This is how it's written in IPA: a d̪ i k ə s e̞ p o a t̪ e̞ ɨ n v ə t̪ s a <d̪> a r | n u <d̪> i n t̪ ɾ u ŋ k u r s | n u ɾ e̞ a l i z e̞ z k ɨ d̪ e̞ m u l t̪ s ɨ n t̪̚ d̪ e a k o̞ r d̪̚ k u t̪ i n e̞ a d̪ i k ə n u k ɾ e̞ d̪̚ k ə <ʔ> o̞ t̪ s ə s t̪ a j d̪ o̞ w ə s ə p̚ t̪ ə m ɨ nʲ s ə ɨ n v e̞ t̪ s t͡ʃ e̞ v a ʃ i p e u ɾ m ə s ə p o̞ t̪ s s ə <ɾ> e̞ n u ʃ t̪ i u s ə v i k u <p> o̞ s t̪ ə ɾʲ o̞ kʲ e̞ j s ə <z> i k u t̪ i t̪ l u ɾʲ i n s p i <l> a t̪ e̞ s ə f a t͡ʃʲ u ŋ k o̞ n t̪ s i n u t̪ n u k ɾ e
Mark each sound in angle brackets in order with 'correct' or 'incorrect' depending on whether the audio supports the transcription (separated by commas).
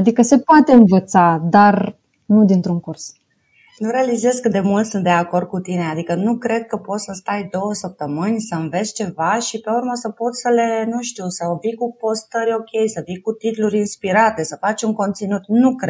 correct, correct, incorrect, incorrect, correct, incorrect, incorrect